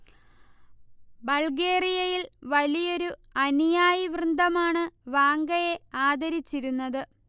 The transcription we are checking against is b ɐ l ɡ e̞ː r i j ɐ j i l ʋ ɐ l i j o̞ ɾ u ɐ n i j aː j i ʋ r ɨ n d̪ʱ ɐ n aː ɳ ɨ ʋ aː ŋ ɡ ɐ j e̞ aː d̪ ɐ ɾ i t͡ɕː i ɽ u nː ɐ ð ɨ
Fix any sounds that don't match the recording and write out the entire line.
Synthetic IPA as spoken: b ɐ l ɡ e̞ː r i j ɐ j i l ʋ ɐ l i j o̞ ɾ u ɐ n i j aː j i ʋ r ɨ n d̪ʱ ɐ m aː ɳ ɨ ʋ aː ŋ ɡ ɐ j e̞ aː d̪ ɐ ɾ i t͡ɕː i ɾ u nː ɐ ð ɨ